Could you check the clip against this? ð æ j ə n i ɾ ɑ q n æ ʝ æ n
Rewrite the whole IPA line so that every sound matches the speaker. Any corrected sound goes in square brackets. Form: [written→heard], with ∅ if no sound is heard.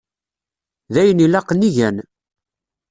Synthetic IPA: ð æ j ə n i [ɾ→l] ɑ q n [æ→i] ʝ æ n